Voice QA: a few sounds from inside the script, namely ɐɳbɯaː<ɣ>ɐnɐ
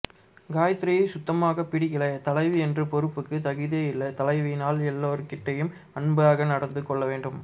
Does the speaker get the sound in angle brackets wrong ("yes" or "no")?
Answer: no